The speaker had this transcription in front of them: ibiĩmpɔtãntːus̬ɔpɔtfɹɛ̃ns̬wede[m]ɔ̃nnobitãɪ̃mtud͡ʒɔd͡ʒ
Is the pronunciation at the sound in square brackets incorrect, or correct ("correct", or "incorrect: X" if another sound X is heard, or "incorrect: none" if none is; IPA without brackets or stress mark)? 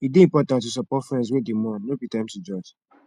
correct